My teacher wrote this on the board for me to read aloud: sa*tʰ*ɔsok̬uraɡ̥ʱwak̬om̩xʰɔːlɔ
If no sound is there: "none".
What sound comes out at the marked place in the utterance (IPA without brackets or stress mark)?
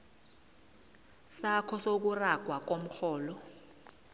kʰ